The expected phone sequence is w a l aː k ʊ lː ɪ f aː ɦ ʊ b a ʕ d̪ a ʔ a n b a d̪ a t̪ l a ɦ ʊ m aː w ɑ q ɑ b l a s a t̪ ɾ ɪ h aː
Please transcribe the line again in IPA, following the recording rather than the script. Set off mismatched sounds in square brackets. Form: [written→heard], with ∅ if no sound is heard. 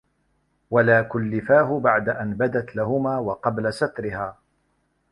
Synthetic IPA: w a l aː k ʊ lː ɪ f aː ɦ ʊ b a ʕ d̪ a ʔ a n b a d̪ a t̪ l a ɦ ʊ m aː w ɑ q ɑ b l a s a t̪ ɾ ɪ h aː